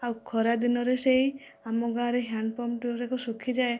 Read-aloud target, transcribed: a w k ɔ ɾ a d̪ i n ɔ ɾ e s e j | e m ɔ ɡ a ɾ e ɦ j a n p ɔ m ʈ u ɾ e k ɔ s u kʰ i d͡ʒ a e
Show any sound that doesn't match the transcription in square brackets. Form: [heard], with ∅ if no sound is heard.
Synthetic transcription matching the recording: a w [kʰ] ɔ ɾ a d̪ i n ɔ ɾ e s e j | [a] m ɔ ɡ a ɾ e ɦ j a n p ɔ m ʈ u ɾ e k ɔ s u kʰ i d͡ʒ a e